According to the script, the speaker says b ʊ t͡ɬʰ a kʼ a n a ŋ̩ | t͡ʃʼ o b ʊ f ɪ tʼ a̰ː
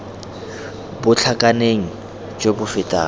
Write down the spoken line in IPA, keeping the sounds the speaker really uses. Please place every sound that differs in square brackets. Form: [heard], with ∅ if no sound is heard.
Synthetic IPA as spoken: b ʊ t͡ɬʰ a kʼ a n [e] ŋ̩ | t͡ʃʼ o b ʊ f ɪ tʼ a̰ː

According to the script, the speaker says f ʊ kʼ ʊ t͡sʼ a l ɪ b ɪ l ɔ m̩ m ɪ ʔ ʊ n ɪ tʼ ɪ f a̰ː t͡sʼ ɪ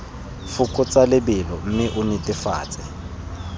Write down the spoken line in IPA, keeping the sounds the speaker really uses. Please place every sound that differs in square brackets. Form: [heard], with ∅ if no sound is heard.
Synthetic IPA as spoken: f ʊ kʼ ʊ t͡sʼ a l ɪ b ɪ l ɔ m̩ m ɪ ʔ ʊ n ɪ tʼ ɪ f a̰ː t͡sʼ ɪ

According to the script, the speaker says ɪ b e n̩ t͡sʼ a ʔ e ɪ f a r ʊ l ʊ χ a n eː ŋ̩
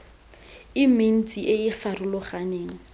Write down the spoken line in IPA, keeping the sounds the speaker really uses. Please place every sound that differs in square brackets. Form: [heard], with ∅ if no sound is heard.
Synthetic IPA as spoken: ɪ [m] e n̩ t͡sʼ [i] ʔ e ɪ f a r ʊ l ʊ χ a n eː ŋ̩

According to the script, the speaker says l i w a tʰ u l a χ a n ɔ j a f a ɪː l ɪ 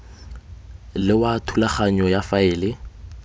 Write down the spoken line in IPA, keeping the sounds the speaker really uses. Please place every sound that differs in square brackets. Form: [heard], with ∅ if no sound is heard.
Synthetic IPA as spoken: l [ɪ] w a tʰ u l a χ a [ɲ] ɔ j a f a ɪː l ɪ

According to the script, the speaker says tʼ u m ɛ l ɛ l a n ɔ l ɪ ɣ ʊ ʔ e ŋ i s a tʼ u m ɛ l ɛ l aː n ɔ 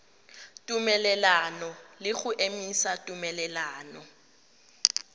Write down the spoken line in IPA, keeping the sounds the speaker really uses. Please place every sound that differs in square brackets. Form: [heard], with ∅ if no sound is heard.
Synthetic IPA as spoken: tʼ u m ɛ l ɛ l a n ɔ l ɪ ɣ ʊ ʔ e [m] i s a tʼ u m ɛ l ɛ l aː n ɔ

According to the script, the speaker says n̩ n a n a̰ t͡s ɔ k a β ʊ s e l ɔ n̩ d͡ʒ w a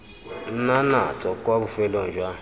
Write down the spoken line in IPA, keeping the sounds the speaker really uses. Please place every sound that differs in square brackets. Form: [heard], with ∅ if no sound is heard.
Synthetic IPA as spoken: n̩ n a n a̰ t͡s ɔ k a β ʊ [f] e l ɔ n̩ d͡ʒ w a

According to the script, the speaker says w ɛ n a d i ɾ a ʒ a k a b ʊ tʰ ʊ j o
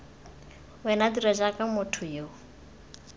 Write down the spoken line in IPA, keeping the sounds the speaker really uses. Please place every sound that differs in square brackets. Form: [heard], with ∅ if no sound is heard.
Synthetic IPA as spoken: w ɛ n a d i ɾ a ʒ a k a [m] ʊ tʰ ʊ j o

